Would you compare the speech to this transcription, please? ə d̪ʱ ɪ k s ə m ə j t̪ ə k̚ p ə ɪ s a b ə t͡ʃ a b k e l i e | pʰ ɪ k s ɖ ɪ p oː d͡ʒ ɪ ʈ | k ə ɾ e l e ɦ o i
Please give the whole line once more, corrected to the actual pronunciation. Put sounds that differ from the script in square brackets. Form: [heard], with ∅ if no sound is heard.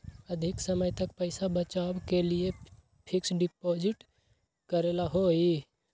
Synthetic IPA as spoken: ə d̪ʱ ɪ k s ə m ə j t̪ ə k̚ p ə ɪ s a b ə t͡ʃ a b k e l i e | pʰ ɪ k s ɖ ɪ p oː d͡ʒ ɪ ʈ | k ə ɾ e l [a] ɦ o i